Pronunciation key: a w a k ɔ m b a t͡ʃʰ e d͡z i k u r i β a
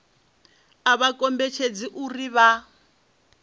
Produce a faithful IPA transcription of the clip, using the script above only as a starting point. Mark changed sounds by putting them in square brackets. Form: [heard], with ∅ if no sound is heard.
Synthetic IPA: a [β] a k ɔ m b [ɛ] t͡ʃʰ e d͡z i [ʔ] u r i β a